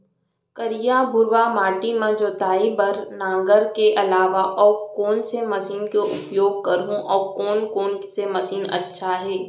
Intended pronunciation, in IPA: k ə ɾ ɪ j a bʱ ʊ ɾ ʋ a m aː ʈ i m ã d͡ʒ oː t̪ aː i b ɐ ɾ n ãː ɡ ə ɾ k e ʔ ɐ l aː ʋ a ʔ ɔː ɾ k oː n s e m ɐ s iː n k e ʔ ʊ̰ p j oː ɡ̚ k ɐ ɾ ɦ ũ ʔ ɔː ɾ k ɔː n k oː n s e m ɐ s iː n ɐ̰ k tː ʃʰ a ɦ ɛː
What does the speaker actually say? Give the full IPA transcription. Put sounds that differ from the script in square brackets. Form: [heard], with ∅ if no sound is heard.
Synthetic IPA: k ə ɾ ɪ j a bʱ ʊ ɾ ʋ a m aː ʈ i m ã d͡ʒ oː t̪ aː i b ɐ ɾ n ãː ɡ ə ɾ k e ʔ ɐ l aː ʋ a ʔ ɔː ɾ k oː n s e m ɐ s iː n k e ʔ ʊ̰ p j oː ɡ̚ k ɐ ɾ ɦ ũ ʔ ɔː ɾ k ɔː n k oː n s e m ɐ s iː n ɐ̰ [∅] tː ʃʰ a ɦ ɛː